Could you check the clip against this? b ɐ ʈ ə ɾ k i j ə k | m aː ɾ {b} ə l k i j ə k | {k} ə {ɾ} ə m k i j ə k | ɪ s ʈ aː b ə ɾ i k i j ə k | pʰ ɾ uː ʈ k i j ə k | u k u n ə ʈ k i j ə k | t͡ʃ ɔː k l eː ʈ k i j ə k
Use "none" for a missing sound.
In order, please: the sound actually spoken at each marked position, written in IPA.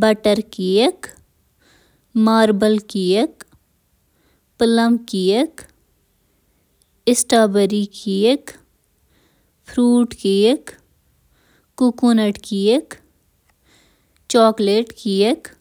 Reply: b, p, l

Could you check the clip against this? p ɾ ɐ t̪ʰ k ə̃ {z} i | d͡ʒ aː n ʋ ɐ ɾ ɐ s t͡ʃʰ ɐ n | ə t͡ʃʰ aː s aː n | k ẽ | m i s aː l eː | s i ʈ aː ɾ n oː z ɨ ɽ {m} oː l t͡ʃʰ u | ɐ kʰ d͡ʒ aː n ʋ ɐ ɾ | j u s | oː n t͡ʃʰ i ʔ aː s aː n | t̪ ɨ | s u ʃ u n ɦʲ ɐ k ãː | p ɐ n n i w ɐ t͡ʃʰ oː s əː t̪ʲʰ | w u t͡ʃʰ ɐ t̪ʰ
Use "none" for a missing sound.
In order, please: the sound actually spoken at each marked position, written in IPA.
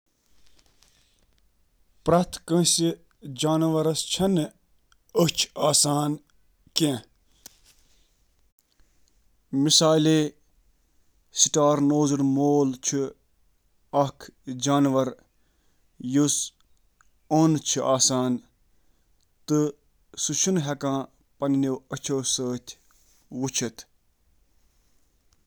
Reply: s, m

